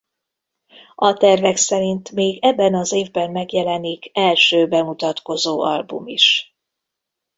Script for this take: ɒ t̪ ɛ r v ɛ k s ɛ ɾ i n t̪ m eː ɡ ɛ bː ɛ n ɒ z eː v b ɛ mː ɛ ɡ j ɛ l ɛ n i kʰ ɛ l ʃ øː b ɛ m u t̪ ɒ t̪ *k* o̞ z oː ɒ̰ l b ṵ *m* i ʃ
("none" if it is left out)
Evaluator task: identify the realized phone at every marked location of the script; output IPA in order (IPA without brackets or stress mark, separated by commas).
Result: k, m